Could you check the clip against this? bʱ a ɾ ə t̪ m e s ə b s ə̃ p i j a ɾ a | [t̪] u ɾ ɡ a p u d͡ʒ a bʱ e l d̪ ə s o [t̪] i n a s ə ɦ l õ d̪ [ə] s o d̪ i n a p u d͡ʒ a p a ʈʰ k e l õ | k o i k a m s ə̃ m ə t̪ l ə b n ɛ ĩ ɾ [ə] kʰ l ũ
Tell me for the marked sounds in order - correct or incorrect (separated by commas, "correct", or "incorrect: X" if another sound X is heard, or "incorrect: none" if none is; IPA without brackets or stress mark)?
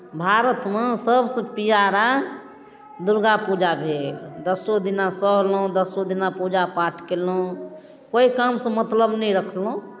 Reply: incorrect: d̪, incorrect: d̪, correct, correct